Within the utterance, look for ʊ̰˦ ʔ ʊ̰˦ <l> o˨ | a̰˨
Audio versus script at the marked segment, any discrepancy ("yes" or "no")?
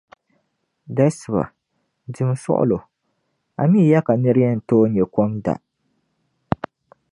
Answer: no